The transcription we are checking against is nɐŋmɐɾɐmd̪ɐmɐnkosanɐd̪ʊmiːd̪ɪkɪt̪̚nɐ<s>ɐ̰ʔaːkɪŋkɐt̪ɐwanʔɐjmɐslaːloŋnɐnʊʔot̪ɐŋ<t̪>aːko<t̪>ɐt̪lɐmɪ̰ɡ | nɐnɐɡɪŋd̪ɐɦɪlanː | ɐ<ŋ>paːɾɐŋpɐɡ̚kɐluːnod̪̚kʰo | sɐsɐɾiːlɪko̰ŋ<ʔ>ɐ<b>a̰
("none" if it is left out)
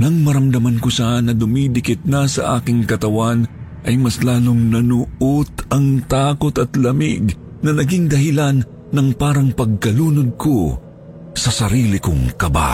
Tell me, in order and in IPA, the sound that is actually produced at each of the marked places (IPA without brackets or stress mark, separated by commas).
s, t̪, t̪, ŋ, k, b